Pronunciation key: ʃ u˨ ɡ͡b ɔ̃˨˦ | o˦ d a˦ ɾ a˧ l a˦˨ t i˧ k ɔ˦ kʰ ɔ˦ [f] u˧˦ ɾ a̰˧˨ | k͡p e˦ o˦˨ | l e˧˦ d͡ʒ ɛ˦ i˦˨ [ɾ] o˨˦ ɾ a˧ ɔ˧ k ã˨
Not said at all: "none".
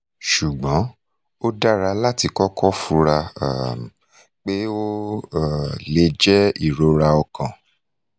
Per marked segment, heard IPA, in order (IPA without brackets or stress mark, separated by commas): f, ɾ